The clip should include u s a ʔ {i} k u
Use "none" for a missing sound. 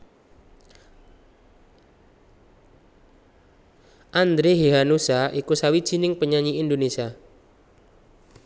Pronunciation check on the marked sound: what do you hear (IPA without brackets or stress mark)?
i